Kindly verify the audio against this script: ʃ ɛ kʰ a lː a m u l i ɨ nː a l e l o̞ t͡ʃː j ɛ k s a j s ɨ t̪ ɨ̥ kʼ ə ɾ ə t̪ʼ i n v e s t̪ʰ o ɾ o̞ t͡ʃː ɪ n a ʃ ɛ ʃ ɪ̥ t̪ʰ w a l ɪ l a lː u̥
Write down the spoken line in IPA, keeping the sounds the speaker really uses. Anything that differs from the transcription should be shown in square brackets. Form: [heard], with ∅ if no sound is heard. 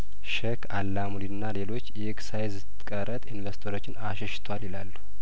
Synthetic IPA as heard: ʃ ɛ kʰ a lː a m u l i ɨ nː a l e l o̞ t͡ʃː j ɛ k s a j [z] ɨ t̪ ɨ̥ kʼ ə ɾ ə t̪ʼ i n v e s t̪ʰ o ɾ o̞ t͡ʃː ɪ n a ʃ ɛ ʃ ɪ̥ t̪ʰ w a l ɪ l a lː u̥

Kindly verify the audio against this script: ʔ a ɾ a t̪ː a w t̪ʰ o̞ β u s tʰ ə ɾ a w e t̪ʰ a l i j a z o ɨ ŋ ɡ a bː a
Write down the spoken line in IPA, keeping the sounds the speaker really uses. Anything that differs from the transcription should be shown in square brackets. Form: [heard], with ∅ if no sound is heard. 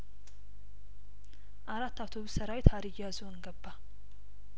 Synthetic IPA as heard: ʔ a ɾ a t̪ː a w t̪ʰ o̞ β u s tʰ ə ɾ a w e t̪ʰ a [ɾ] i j a z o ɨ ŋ ɡ [ə] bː a

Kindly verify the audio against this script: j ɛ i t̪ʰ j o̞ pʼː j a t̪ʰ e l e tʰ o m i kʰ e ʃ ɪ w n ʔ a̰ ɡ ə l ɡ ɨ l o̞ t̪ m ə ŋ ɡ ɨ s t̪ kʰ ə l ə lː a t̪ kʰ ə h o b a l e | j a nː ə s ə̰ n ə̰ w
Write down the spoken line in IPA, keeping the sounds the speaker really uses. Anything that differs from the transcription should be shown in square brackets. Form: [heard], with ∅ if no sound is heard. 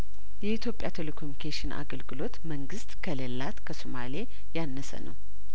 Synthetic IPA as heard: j ɛ i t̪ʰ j o̞ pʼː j a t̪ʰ e l e [kʰ] o m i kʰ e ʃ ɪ [∅] n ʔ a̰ ɡ ə l ɡ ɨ l o̞ t̪ m ə ŋ ɡ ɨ s t̪ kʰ ə l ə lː a t̪ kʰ ə [s] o [m] a l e | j a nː ə s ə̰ n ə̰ w

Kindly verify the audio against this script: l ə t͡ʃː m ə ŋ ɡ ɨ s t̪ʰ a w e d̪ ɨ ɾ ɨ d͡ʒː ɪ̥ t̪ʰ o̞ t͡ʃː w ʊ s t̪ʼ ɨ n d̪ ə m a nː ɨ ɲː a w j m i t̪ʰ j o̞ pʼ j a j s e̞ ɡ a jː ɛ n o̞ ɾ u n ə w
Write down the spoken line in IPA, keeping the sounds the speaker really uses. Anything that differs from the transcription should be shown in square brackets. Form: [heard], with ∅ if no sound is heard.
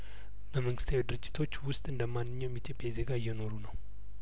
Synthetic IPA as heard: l ə [∅] m ə ŋ ɡ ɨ s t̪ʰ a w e d̪ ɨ ɾ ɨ d͡ʒː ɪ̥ t̪ʰ o̞ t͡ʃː w ʊ s t̪ʼ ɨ n d̪ ə m a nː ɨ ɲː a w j m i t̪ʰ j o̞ pʼ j a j [z] e̞ ɡ a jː ɛ n o̞ ɾ u n ə w

